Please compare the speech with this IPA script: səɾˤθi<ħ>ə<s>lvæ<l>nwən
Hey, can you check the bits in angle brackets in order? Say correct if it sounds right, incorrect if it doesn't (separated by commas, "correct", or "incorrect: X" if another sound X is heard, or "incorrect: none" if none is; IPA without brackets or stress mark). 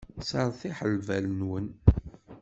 correct, incorrect: none, correct